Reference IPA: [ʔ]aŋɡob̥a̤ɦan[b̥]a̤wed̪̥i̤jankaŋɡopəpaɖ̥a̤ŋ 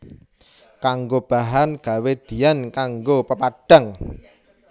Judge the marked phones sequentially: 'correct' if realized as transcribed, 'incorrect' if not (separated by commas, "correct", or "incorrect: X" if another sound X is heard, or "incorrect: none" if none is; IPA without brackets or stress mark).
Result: incorrect: k, incorrect: ɡ̥